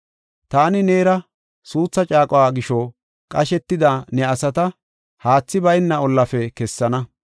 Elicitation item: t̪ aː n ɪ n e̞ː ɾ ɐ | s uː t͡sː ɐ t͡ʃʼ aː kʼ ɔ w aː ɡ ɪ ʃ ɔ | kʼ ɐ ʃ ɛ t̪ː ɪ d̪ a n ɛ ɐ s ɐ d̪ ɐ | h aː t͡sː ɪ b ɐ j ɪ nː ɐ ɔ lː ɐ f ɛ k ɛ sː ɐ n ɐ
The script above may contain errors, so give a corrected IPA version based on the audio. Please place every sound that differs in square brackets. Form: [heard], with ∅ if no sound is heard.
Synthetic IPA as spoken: t̪ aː n ɪ n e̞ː ɾ ɐ | s uː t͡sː ɐ t͡ʃʼ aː kʼ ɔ w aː ɡ ɪ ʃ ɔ | kʼ ɐ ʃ ɛ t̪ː ɪ d̪ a n ɛ ɐ s ɐ [t̪] ɐ | h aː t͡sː ɪ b ɐ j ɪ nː ɐ ɔ lː ɐ f ɛ k ɛ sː ɐ n ɐ

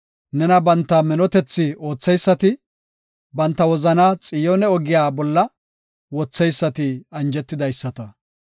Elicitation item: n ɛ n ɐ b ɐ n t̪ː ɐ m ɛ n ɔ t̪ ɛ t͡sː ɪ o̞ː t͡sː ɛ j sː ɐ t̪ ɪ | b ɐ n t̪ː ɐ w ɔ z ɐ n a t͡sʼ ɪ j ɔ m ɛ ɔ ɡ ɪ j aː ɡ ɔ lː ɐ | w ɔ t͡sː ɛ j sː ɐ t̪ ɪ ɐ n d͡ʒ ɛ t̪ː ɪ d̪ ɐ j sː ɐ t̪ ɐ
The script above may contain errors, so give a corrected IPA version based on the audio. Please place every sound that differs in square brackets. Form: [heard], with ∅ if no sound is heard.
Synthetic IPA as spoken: n ɛ n ɐ b ɐ n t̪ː ɐ m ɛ n ɔ t̪ ɛ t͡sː ɪ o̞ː t͡sː ɛ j sː ɐ t̪ ɪ | b ɐ n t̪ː ɐ w ɔ z ɐ n a t͡sʼ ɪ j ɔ [n] ɛ ɔ ɡ ɪ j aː [b] ɔ lː ɐ | w ɔ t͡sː ɛ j sː ɐ t̪ ɪ ɐ n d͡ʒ ɛ t̪ː ɪ d̪ ɐ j sː ɐ t̪ ɐ

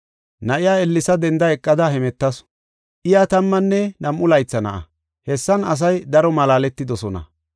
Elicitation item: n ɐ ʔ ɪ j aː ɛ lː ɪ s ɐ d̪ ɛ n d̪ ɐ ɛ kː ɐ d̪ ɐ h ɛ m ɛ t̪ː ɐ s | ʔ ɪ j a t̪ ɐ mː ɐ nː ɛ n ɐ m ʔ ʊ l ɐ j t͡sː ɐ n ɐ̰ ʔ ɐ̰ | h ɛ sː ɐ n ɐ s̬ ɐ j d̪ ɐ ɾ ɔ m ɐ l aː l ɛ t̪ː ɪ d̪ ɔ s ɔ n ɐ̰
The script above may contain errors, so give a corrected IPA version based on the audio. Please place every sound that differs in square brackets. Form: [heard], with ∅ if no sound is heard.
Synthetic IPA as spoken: n ɐ ʔ ɪ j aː ɛ lː ɪ s ɐ d̪ ɛ n d̪ ɐ ɛ [kʼː] ɐ d̪ ɐ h ɛ m ɛ t̪ː ɐ s | ʔ ɪ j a t̪ ɐ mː ɐ nː ɛ n ɐ m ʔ ʊ l ɐ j t͡sː ɐ n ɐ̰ ʔ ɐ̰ | h ɛ sː ɐ n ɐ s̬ ɐ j d̪ ɐ ɾ ɔ m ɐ l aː l ɛ t̪ː ɪ d̪ ɔ s ɔ n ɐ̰

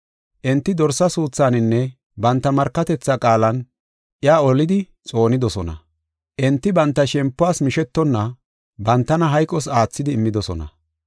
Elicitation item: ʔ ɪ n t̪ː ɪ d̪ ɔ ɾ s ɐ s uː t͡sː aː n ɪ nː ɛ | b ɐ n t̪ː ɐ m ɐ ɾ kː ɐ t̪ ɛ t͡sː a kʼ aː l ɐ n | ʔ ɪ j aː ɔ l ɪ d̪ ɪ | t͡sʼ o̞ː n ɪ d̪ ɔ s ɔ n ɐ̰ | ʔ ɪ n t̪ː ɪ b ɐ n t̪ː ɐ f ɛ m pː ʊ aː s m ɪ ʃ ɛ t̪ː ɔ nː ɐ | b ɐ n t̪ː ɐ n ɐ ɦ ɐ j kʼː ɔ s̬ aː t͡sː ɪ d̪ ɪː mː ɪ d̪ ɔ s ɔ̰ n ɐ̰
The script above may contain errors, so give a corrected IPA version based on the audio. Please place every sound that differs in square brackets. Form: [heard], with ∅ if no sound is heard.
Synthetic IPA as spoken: ʔ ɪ n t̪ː ɪ d̪ ɔ ɾ s ɐ s uː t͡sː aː n ɪ nː ɛ | b ɐ n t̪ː ɐ m ɐ ɾ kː ɐ t̪ ɛ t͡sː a kʼ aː l ɐ n | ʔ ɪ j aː ɔ l ɪ d̪ ɪ | t͡sʼ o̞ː n ɪ d̪ ɔ s ɔ n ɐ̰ | ʔ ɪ n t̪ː ɪ b ɐ n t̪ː ɐ [ʃ] ɛ m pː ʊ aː s m ɪ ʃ ɛ t̪ː ɔ nː ɐ | b ɐ n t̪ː ɐ n ɐ ɦ ɐ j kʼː ɔ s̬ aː t͡sː ɪ d̪ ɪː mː ɪ d̪ ɔ s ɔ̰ n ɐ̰

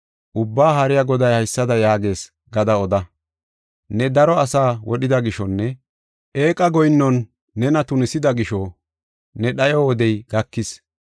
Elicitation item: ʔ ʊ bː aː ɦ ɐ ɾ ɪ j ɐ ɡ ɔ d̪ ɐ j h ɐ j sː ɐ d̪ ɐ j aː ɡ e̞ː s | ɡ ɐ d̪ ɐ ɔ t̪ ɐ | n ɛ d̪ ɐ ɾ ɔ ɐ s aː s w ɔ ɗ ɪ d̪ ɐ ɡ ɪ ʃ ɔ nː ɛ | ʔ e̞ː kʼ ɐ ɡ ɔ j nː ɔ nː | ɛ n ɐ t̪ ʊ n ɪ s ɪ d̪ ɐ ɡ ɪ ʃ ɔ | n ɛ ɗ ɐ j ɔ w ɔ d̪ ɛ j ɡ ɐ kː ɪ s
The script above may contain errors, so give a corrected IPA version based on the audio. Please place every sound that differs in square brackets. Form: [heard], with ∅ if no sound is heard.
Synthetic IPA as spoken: ʔ ʊ bː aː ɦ ɐ ɾ ɪ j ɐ ɡ ɔ d̪ ɐ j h ɐ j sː ɐ d̪ ɐ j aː ɡ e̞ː s | ɡ ɐ d̪ ɐ ɔ [d̪] ɐ | n ɛ d̪ ɐ ɾ ɔ ɐ s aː [∅] w ɔ ɗ ɪ d̪ ɐ ɡ ɪ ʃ ɔ nː ɛ | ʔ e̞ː kʼ ɐ ɡ ɔ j nː ɔ nː | ɛ n ɐ t̪ ʊ n ɪ s ɪ d̪ ɐ ɡ ɪ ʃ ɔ | n ɛ ɗ ɐ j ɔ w ɔ d̪ ɛ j ɡ ɐ kː ɪ s

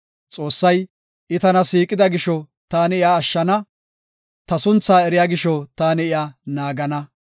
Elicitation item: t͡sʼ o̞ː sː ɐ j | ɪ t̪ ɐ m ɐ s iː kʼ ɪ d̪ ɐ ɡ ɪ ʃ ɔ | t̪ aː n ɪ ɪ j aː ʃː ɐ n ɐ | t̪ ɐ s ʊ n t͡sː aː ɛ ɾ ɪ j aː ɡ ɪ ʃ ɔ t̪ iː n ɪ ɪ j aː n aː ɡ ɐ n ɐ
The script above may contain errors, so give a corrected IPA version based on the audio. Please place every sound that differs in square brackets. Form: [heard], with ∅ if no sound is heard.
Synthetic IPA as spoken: t͡sʼ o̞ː sː ɐ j | ɪ t̪ ɐ [n] ɐ s iː kʼ ɪ d̪ ɐ ɡ ɪ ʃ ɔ | t̪ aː n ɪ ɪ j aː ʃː ɐ n ɐ | t̪ ɐ s ʊ n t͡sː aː ɛ ɾ ɪ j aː ɡ ɪ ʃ ɔ t̪ [aː] n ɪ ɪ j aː n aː ɡ ɐ n ɐ

